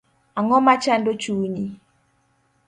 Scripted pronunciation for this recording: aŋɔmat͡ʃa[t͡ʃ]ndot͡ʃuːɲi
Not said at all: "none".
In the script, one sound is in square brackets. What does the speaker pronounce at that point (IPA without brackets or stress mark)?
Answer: none